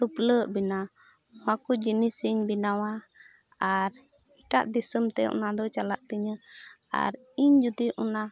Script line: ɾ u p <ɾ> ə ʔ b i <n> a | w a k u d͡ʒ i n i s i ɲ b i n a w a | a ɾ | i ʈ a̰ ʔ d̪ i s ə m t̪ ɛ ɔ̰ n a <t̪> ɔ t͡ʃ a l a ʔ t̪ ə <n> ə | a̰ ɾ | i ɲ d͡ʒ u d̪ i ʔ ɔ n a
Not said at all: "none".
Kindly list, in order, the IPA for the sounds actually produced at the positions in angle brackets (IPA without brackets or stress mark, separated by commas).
l, n, d̪, ɲ